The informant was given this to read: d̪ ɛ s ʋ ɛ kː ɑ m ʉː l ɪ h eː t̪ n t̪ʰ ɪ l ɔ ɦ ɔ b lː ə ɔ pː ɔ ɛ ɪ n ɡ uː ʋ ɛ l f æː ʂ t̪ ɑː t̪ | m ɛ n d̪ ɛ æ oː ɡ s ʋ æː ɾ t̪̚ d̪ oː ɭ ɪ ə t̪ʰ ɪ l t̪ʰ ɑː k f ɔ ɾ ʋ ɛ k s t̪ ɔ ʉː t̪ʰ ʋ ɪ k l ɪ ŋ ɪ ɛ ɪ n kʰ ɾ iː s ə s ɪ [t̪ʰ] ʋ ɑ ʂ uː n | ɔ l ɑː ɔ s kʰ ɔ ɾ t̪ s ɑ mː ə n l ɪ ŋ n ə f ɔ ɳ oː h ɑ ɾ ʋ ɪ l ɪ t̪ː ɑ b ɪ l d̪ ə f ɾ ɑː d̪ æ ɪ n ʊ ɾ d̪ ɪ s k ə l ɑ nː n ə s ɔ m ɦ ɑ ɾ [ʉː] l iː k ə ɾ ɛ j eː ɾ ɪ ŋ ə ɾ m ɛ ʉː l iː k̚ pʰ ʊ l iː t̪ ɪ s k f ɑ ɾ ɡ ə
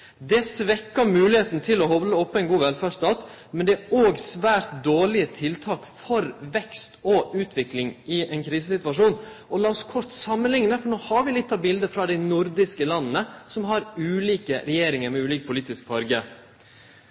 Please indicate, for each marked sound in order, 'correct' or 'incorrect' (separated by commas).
incorrect, correct